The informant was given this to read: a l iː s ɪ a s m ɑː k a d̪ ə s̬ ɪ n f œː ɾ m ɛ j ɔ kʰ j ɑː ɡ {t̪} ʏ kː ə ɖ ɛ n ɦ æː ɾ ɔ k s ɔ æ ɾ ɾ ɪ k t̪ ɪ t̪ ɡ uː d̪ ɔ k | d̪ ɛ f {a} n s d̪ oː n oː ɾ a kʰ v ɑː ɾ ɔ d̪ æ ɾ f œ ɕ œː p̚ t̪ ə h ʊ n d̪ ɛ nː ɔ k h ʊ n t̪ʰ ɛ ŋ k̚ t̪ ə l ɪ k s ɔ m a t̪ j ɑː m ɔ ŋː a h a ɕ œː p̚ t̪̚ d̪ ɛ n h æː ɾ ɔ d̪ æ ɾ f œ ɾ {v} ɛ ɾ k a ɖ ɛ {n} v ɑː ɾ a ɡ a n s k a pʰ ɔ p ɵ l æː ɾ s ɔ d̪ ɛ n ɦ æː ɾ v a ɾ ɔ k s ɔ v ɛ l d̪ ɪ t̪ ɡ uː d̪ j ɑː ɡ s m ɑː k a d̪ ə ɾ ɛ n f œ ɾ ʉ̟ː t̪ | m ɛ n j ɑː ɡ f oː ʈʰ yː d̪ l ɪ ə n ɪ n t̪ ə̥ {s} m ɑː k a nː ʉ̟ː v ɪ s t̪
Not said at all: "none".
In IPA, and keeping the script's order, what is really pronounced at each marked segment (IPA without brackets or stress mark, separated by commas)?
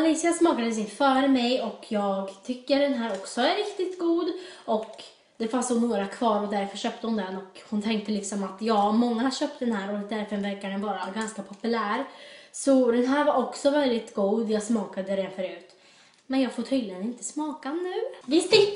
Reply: t̪ʰ, a, v, n, s